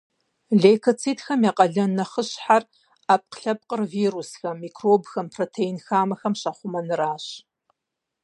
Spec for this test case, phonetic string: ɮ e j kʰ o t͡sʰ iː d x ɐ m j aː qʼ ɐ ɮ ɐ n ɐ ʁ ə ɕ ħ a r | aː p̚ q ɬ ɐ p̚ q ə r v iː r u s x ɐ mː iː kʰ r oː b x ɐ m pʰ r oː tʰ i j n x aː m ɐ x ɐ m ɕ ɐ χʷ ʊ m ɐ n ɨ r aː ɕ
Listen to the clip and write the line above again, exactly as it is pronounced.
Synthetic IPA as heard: ɮ e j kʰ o t͡sʰ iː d x ɐ m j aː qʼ ɐ ɮ ɐ n ɐ χ ə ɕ ħ a r | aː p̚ q ɬ ɐ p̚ q ə r v iː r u s x ɐ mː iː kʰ r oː b x ɐ m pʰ r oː tʰ e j n x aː m ɐ x ɐ m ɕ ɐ χʷ ʊ m ɐ n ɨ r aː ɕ